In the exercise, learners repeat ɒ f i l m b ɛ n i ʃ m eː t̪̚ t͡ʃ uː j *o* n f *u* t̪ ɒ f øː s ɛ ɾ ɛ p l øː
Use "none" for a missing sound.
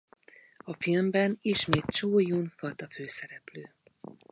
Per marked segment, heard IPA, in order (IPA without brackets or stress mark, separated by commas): u, ɒ